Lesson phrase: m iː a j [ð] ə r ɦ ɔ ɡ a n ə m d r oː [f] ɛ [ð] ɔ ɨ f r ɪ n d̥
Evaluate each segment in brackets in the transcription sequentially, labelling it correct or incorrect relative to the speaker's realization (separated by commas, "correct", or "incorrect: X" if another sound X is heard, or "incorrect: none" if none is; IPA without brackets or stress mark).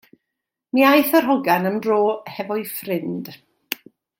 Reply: incorrect: θ, incorrect: h, incorrect: v